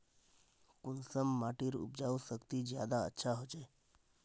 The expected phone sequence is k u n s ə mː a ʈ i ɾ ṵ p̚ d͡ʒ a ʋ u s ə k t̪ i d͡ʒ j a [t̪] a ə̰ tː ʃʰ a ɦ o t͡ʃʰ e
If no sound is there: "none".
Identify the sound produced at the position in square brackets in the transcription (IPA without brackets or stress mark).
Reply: d̪